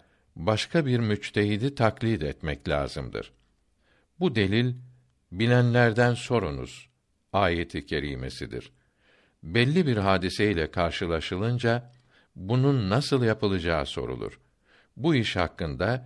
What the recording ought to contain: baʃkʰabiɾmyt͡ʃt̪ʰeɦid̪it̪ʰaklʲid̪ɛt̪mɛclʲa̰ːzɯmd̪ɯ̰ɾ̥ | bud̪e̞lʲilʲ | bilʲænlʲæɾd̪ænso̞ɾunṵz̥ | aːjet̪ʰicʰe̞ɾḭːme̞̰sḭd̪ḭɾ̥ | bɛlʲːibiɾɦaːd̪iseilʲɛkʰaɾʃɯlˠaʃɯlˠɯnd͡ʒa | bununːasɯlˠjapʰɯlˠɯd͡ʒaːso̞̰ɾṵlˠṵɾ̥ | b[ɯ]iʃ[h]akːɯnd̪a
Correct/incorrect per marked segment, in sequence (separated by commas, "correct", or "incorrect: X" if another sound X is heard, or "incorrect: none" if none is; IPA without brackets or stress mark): incorrect: u, correct